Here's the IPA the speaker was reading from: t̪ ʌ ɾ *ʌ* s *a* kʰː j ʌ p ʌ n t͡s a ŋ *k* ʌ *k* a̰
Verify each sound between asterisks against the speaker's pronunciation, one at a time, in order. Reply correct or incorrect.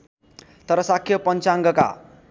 correct, correct, incorrect: ɡ, correct

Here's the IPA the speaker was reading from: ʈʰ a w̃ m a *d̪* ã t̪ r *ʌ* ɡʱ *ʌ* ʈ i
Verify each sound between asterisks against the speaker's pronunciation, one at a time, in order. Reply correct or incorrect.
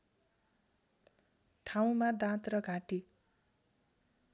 correct, correct, incorrect: a

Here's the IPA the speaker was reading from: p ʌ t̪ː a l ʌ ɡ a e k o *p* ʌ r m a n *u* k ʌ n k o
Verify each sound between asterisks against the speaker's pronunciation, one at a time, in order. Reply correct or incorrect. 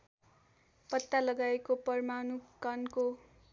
correct, correct

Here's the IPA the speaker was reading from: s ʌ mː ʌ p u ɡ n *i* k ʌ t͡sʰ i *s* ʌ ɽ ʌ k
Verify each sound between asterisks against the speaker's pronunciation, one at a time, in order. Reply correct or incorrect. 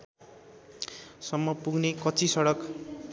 incorrect: e, correct

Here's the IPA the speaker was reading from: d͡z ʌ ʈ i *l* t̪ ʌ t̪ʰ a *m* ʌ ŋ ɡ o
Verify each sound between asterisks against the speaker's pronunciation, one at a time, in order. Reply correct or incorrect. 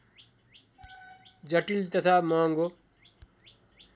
correct, correct

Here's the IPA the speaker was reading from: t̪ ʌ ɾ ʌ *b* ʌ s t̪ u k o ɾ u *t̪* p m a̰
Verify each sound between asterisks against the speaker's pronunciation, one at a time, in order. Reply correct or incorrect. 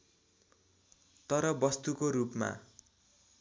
correct, incorrect: none

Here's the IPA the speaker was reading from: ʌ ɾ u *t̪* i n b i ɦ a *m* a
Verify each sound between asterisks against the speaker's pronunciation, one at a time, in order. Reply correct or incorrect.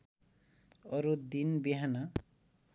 incorrect: d̪, incorrect: n

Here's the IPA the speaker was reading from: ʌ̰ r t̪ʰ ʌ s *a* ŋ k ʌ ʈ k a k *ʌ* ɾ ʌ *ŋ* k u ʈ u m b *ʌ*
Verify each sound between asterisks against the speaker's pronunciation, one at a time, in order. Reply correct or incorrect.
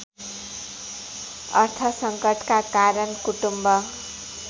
incorrect: ʌ, incorrect: a, incorrect: n, correct

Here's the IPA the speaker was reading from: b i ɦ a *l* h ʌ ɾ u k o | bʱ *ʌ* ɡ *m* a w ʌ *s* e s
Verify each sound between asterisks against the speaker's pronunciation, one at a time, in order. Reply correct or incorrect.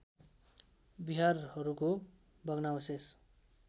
incorrect: r, correct, incorrect: n, correct

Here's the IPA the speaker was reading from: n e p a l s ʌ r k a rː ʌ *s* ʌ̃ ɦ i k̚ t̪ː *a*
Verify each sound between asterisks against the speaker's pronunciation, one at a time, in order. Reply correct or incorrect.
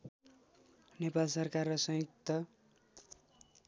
correct, incorrect: ʌ

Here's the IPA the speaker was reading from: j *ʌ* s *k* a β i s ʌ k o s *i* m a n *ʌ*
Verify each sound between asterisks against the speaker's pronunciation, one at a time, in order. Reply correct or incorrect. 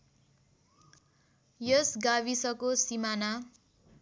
correct, incorrect: ɡ, correct, incorrect: a

